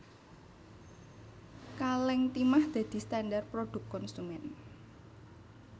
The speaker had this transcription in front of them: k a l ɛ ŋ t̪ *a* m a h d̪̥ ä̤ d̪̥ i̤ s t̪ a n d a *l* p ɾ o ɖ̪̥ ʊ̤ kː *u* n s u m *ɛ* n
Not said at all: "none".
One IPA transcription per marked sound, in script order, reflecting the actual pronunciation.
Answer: i, r, ɔ, ɛ

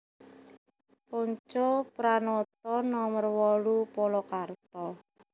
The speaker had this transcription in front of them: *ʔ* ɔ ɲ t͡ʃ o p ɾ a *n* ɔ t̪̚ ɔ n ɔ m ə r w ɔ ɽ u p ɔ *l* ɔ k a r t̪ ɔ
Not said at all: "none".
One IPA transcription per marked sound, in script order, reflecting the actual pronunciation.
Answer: p, n, l

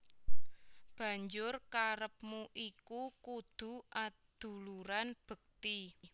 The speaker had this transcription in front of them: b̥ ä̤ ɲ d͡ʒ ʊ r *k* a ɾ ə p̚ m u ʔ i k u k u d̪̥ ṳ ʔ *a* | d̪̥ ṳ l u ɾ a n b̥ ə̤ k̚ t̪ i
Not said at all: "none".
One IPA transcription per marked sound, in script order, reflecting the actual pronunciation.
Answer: k, a

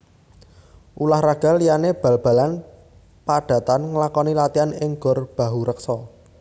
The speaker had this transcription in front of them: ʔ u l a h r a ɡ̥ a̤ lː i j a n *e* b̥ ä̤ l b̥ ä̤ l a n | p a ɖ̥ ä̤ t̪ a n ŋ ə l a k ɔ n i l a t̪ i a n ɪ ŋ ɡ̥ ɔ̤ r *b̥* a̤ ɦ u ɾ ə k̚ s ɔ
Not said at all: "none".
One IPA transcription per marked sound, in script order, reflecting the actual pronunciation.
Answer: e, b̥

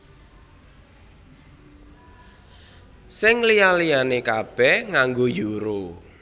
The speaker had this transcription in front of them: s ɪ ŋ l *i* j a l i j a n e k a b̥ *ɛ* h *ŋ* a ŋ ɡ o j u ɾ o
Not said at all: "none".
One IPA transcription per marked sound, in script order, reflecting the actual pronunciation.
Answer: i, ɛ, ŋ

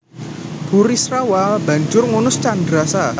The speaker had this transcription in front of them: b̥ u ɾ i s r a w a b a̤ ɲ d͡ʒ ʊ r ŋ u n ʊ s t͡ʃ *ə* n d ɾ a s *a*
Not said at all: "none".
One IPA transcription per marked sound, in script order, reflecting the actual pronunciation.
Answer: a, a

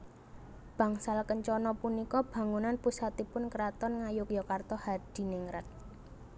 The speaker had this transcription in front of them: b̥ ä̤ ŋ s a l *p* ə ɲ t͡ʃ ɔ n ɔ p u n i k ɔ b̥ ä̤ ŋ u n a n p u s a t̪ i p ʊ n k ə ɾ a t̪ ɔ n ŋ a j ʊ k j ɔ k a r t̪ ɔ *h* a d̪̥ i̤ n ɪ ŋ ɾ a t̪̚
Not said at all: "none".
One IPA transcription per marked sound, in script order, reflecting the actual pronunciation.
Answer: k, h

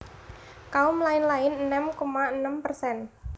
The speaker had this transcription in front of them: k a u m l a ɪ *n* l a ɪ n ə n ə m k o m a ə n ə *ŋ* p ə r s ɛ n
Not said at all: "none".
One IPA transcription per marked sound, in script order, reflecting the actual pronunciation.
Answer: n, m

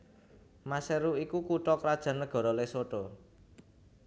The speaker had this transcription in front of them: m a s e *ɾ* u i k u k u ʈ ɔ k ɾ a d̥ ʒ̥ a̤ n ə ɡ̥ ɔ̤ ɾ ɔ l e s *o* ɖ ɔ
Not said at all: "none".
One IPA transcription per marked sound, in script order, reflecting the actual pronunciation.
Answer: ɾ, o

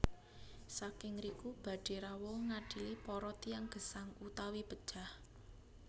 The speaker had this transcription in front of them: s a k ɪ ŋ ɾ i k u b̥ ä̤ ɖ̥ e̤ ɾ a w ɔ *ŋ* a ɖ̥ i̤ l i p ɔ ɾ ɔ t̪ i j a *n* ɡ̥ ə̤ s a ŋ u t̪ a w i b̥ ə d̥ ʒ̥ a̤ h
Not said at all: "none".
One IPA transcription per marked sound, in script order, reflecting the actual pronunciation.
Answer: ŋ, ŋ

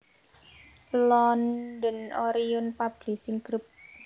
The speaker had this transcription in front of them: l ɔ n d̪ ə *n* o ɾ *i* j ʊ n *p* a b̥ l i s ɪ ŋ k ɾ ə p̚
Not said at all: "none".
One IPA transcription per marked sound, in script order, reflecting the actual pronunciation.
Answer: n, i, p

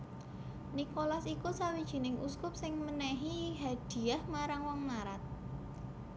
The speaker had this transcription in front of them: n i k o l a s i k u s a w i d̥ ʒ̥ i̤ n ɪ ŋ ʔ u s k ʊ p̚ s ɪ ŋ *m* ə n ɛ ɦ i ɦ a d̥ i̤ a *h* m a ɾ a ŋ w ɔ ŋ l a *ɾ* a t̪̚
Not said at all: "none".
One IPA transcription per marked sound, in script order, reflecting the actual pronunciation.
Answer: m, h, ɾ

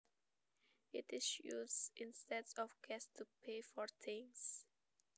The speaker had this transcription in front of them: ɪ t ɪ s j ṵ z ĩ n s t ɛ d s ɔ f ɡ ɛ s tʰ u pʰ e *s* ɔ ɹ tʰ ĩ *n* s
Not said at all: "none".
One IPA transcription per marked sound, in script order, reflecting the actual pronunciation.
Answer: f, ŋ

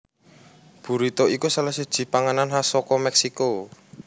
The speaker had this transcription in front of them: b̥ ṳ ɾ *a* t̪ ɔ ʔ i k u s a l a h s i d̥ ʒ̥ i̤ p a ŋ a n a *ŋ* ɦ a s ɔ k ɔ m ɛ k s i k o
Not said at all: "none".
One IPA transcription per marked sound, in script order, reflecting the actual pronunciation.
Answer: i, n

